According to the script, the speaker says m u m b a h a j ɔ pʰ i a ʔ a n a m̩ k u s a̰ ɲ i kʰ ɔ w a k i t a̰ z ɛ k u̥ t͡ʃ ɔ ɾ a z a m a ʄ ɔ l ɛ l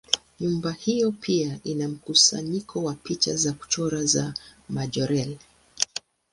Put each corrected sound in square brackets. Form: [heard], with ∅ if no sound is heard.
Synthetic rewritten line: [ɲ] u m b a h [i] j ɔ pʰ i a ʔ [i] n a m̩ k u s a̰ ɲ i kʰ ɔ w a [p] i [t͡ʃ] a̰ z [a] k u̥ t͡ʃ ɔ ɾ a z a m a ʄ ɔ [ɾ] ɛ l